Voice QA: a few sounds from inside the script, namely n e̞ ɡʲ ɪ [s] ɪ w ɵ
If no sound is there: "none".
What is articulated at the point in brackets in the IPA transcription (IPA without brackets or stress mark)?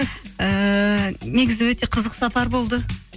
z